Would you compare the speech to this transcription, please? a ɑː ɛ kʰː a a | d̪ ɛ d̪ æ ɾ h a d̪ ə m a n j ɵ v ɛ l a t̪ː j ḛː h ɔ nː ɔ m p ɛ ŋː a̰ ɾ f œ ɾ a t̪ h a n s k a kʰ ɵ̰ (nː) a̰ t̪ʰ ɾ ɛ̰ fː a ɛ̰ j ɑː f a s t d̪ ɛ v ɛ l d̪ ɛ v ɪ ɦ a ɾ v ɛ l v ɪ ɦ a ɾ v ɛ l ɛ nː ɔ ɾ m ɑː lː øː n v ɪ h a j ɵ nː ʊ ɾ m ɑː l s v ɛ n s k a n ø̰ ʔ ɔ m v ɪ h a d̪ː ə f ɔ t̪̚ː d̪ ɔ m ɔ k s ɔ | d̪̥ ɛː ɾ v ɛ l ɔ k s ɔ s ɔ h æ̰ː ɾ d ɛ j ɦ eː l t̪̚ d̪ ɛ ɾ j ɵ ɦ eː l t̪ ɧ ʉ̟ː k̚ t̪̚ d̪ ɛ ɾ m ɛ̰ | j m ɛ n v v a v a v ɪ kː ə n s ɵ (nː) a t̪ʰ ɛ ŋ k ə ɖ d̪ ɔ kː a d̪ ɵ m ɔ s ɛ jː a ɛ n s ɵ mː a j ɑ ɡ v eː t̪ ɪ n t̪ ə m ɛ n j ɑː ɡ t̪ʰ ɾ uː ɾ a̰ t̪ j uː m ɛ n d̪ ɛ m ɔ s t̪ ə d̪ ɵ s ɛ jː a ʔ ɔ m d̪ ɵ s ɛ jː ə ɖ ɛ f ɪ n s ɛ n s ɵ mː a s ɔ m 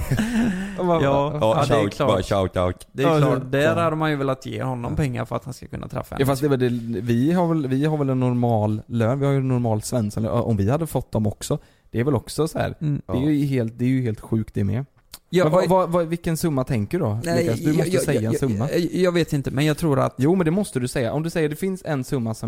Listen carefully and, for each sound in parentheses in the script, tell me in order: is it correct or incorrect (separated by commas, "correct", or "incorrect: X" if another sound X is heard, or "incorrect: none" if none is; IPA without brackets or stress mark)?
correct, incorrect: mː